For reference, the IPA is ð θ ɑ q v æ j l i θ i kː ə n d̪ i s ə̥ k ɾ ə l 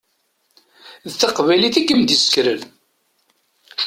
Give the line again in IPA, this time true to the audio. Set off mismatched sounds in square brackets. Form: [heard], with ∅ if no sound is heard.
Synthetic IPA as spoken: ð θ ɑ q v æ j l i θ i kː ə [m] d̪ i s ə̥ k ɾ ə l